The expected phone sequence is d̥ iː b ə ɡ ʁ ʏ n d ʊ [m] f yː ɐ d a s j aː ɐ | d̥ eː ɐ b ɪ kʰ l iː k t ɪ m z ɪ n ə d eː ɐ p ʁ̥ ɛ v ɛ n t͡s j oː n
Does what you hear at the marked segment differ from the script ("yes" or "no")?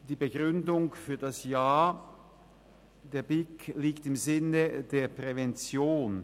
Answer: yes